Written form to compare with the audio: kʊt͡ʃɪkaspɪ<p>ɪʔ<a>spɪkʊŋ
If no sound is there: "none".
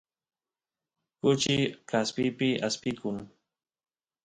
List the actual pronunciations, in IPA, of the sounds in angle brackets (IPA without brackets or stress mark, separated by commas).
p, a